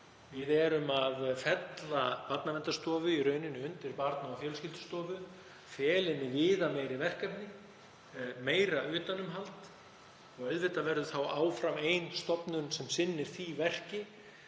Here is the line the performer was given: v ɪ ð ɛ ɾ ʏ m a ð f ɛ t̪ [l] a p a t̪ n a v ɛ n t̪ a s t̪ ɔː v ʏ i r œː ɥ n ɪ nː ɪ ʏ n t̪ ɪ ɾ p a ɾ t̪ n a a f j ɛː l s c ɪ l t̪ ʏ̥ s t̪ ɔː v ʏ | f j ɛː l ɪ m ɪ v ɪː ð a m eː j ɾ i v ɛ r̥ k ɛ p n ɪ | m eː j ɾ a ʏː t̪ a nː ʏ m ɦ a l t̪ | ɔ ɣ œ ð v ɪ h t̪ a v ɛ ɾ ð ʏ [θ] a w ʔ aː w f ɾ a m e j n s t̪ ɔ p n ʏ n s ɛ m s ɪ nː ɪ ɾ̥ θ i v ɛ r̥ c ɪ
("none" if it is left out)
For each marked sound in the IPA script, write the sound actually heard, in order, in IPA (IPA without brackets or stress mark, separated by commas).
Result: l, θ